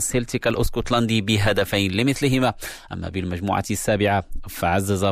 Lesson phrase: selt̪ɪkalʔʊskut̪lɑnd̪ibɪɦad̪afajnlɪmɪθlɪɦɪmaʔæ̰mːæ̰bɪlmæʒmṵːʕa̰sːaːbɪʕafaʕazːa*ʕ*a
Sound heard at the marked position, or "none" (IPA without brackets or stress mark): z